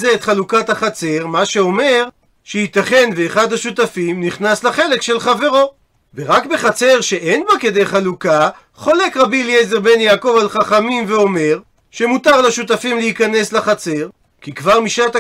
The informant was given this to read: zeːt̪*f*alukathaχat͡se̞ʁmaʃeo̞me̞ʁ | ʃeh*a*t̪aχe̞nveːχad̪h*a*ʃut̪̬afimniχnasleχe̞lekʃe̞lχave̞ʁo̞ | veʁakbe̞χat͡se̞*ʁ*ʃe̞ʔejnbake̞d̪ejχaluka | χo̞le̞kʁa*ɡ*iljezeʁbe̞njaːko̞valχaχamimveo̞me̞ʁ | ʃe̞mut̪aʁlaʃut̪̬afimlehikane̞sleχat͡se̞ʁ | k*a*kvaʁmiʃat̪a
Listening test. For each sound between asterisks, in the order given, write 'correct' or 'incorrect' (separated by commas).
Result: incorrect, incorrect, correct, correct, incorrect, incorrect